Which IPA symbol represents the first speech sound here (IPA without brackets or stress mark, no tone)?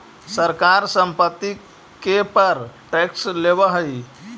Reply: s